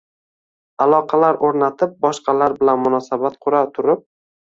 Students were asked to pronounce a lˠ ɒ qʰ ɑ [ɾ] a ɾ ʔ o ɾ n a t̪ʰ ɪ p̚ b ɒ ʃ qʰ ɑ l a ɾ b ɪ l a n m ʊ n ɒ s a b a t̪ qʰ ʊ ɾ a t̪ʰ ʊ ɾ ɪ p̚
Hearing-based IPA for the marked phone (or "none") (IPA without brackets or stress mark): l